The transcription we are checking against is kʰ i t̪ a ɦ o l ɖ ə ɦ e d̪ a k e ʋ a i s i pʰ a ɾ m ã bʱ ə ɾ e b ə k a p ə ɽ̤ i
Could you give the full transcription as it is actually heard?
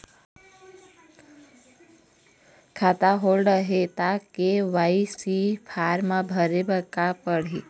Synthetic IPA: kʰ a t̪ a ɦ o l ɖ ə ɦ e t̪ a k e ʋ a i s i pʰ a ɾ m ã bʱ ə ɾ e b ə k a p ə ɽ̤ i